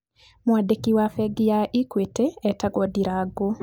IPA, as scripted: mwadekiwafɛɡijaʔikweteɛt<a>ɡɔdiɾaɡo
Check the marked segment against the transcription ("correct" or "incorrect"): correct